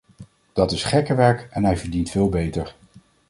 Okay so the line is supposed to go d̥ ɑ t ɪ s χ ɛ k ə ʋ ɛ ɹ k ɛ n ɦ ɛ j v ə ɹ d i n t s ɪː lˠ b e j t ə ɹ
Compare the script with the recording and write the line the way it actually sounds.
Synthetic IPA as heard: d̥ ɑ t ɪ s χ ɛ k ə ʋ ɛ ɹ k ɛ n ɦ ɛ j v ə ɹ d i n t f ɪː lˠ b e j t ə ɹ

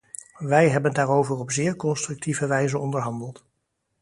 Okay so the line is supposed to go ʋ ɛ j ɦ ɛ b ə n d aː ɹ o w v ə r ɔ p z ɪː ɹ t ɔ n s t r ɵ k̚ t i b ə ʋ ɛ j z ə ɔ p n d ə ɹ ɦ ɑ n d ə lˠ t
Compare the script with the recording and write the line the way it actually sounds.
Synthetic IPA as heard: ʋ ɛ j ɦ ɛ b ə n d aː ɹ o w v ə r ɔ p z ɪː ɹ k ɔ n s t r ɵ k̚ t i v ə ʋ ɛ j z ə ɔ n d ə ɹ ɦ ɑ n d ə lˠ t

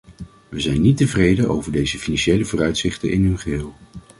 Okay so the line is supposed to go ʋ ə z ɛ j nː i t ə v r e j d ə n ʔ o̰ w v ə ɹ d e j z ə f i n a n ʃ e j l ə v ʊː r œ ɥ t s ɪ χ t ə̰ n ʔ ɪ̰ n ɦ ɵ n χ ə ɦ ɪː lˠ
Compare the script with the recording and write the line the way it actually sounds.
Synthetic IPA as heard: ʋ ə z ɛ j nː i t ə v r e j d ə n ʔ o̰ w v ə ɹ d e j z ə f i n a n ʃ e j l ə v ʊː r œ ɥ t s ɪ χ t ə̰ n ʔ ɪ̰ n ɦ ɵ n χ ə ɦ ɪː lˠ

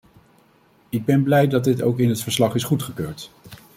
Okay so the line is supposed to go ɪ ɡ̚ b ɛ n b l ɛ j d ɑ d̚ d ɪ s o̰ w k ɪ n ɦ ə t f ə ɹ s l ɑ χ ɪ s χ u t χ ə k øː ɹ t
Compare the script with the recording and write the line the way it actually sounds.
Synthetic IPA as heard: ɪ ɡ̚ b ɛ n b l ɛ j d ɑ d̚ d ɪ t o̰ w k ɪ n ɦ ə t f ə ɹ s l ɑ χ ɪ s χ u t χ ə k øː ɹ t

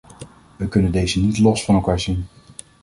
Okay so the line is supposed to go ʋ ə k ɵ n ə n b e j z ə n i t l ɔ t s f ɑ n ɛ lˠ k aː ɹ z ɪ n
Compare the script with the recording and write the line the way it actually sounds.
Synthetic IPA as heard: ʋ ə k ɵ n ə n d e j z ə n i t l ɔ s f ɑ n ɛ lˠ k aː ɹ z i n

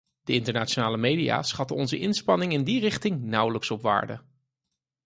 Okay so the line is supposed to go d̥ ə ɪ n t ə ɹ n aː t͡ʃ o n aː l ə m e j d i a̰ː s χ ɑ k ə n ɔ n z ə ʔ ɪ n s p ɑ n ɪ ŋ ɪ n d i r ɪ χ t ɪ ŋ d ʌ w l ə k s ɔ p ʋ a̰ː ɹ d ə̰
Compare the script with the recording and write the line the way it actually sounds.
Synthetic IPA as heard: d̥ ə ɪ n t ə ɹ n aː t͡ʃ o n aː l ə m e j d i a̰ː s χ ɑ t ə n ɔ n z ə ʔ ɪ n s p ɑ n ɪ ŋ ɪ n d i r ɪ χ t ɪ ŋ n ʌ w l ə k s ɔ p ʋ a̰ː ɹ d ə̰

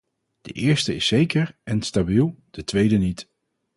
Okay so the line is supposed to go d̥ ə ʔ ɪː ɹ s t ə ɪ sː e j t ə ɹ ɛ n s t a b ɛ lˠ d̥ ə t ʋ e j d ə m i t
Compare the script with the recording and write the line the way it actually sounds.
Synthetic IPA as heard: d̥ ə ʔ ɪː ɹ s t ə ɪ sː e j k ə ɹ ɛ n s t a b i lˠ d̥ ə t ʋ e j d ə n i t

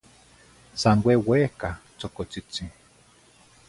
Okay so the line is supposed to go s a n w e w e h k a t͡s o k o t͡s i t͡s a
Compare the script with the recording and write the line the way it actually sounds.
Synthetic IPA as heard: s a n w e w e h k a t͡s o k o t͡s i t͡s i

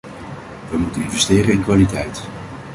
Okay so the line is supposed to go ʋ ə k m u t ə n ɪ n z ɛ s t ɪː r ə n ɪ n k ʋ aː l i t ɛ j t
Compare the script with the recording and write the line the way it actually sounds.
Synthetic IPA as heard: ʋ ə m u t ə n ɪ n v ɛ s t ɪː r ə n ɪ n k ʋ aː l i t ɛ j t

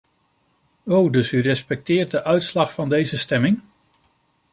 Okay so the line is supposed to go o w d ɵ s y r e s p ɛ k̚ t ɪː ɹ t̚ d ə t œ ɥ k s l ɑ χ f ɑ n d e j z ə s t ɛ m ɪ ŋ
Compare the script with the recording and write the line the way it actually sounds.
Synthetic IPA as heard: o w d ɵ s y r ɛ s p ɛ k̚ t ɪː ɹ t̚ d ə ʔ œ ɥ t s l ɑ χ f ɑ n d e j z ə s t ɛ m ɪ ŋ

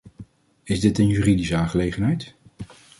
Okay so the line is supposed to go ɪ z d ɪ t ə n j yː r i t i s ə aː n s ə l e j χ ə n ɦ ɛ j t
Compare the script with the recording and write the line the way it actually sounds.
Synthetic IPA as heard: ɪ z d ɪ t ə n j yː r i d i s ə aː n χ ə l e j χ ə n ɦ ɛ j t

